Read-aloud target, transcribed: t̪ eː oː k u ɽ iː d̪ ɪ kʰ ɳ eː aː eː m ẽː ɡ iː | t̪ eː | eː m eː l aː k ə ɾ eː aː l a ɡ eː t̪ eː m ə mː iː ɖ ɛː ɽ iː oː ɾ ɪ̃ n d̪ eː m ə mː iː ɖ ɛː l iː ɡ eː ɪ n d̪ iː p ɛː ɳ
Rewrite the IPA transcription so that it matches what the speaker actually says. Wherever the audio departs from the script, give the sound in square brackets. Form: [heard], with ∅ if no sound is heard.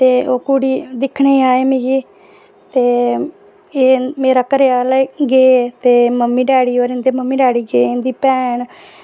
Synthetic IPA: t̪ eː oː k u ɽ iː d̪ ɪ kʰ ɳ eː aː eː m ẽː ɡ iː | t̪ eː | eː m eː [ɾ] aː k ə ɾ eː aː l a ɡ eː t̪ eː m ə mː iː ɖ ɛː ɽ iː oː ɾ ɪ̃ n d̪ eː m ə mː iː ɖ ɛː [ɽ] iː ɡ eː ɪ n d̪ iː p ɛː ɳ